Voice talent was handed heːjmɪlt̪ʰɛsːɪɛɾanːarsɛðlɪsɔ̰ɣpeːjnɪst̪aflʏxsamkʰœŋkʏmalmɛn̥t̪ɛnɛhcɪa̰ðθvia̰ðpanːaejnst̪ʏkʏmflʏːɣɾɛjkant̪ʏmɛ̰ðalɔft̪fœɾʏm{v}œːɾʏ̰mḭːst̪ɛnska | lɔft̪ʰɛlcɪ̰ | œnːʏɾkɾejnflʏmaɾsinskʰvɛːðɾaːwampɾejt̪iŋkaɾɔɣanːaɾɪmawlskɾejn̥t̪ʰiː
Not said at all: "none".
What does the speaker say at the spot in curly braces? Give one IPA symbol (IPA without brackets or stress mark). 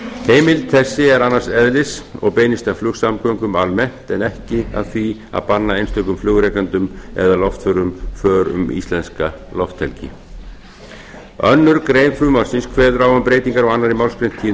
f